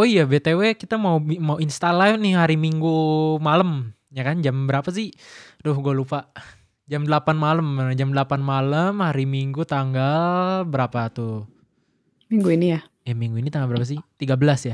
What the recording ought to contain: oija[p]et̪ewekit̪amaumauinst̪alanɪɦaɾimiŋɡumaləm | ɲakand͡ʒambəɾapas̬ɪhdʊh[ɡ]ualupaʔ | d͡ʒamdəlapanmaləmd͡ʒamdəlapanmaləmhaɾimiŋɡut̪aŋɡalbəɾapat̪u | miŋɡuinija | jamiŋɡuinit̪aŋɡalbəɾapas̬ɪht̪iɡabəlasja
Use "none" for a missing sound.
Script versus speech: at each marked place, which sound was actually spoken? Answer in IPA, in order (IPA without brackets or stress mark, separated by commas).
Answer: b, ɡ